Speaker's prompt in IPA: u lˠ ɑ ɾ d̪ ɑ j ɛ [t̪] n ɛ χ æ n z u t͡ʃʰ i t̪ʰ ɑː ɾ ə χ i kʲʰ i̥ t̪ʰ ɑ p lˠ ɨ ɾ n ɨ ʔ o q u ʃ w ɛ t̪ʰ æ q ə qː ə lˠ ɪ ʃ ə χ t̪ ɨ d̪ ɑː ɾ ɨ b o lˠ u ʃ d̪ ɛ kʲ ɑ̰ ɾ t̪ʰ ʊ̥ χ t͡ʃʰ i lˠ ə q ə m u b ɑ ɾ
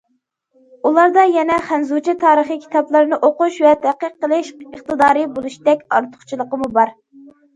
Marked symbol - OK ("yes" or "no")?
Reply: no